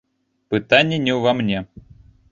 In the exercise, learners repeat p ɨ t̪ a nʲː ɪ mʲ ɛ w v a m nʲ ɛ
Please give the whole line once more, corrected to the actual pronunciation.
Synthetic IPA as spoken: p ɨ t̪ a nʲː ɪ nʲ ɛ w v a m nʲ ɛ